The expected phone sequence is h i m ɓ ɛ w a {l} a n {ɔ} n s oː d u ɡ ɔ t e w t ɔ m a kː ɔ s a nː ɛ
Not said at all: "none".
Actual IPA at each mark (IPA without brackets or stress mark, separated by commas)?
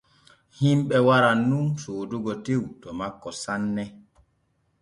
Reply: ɾ, u